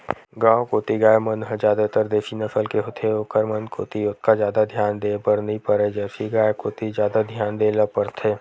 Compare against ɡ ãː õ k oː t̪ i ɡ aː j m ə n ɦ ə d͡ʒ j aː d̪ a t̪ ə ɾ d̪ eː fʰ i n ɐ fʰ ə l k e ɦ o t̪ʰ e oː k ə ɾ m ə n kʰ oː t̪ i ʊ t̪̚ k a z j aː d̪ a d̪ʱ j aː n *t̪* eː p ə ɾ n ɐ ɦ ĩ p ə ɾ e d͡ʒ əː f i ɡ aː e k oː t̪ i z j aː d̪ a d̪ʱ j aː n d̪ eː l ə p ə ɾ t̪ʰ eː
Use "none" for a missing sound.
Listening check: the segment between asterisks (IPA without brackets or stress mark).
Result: d̪